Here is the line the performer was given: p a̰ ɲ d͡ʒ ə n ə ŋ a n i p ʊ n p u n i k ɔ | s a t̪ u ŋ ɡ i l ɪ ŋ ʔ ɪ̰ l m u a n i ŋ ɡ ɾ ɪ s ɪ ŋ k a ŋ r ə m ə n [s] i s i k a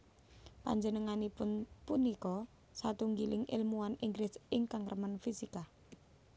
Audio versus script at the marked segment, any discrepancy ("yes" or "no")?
yes